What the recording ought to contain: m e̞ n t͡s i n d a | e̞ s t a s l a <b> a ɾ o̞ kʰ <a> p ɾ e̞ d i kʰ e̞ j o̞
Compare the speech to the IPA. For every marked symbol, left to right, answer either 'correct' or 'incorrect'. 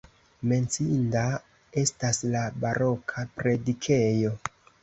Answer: correct, correct

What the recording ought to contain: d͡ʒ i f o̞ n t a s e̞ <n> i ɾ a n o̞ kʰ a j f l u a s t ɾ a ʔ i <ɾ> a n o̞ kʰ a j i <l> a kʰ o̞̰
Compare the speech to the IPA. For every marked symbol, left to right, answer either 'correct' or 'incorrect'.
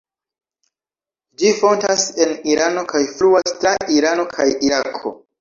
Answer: correct, correct, incorrect

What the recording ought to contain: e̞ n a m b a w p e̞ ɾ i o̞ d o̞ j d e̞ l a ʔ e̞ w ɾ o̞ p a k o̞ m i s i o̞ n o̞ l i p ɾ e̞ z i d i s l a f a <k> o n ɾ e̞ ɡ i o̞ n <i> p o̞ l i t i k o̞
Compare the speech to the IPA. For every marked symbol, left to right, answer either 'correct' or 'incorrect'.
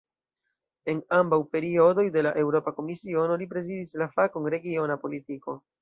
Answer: correct, incorrect

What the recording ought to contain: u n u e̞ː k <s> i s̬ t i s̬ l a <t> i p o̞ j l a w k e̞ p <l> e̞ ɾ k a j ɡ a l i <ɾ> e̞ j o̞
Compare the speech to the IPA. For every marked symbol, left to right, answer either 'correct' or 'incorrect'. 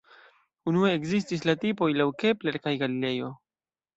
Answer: incorrect, correct, correct, incorrect

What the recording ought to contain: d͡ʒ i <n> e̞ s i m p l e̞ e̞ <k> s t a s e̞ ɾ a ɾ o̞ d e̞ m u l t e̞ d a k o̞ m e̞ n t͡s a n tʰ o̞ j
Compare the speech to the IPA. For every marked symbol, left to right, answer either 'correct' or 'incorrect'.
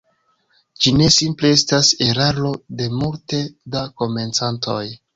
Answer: correct, incorrect

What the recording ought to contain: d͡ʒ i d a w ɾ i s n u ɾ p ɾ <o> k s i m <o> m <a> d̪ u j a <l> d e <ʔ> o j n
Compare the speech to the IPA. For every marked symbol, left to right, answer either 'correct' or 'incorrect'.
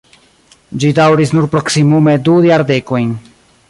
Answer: correct, incorrect, incorrect, incorrect, incorrect

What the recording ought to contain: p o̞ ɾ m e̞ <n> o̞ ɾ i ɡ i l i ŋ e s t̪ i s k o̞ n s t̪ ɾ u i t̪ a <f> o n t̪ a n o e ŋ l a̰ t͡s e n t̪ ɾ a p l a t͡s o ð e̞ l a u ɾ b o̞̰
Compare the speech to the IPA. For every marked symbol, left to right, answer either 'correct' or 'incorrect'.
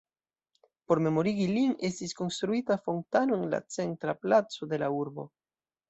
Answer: incorrect, correct

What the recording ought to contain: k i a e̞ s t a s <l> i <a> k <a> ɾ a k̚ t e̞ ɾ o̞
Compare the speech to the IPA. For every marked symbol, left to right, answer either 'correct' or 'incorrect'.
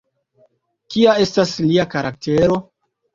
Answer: correct, correct, correct

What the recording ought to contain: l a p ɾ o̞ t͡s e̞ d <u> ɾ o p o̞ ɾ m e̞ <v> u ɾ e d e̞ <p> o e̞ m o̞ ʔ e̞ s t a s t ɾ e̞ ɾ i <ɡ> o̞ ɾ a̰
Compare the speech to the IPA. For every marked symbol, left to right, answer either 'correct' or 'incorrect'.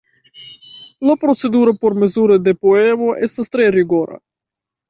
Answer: correct, incorrect, correct, correct

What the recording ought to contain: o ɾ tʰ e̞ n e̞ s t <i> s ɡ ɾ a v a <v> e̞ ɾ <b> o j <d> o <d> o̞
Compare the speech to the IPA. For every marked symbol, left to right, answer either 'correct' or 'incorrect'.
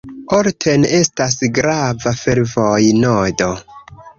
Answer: incorrect, incorrect, incorrect, incorrect, correct

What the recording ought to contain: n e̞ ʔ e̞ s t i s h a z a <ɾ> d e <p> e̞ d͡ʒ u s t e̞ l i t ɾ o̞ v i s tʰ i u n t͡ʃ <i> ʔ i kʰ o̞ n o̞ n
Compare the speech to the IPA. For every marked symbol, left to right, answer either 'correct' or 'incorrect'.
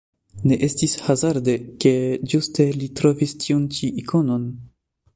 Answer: correct, incorrect, correct

